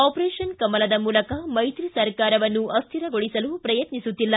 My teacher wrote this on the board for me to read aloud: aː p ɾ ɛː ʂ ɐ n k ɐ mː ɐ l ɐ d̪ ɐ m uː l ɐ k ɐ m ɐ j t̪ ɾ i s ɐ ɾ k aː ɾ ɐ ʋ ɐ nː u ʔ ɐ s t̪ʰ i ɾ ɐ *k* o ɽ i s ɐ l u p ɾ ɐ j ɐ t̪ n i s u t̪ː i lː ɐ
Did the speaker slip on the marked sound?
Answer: yes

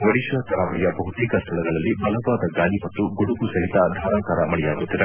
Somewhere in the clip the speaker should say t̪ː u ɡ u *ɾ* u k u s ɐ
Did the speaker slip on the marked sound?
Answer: yes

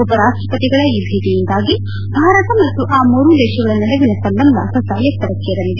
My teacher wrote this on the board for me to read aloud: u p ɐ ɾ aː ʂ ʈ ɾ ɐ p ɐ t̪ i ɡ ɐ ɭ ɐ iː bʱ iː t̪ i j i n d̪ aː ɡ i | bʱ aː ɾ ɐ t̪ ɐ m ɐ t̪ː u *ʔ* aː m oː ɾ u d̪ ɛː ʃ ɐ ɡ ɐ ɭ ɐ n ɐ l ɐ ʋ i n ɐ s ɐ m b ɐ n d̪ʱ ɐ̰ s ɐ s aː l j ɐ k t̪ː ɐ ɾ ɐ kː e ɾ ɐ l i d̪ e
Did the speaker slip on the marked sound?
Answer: no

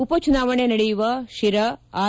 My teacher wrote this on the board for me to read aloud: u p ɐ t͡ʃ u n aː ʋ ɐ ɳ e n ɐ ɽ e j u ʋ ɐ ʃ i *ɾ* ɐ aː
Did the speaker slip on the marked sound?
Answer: no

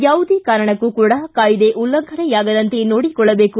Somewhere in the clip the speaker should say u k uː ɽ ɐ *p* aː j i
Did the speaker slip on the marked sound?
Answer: yes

